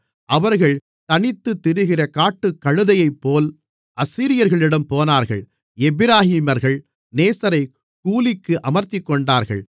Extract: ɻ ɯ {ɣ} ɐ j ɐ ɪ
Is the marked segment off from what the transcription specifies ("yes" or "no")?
yes